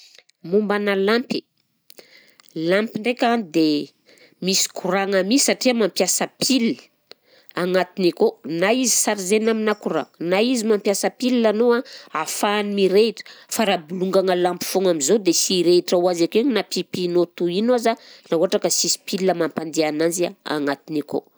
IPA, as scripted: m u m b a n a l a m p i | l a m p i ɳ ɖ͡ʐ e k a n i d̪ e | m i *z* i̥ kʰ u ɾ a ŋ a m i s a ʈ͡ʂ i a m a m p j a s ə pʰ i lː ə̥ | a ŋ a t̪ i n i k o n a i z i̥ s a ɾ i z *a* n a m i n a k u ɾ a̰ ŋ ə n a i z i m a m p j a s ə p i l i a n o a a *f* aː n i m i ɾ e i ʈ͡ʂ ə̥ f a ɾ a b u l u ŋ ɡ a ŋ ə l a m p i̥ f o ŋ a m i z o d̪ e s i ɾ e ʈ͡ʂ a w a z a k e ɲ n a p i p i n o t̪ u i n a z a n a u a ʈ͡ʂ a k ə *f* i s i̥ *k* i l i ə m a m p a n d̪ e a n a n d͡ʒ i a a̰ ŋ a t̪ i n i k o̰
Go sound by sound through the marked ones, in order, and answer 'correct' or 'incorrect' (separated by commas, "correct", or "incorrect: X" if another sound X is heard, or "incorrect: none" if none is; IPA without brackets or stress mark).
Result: incorrect: s, incorrect: e, correct, incorrect: s, incorrect: p